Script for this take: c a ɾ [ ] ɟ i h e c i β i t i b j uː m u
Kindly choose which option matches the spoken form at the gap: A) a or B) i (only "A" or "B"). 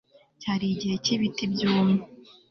B